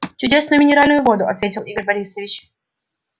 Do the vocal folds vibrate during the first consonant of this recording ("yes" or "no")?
no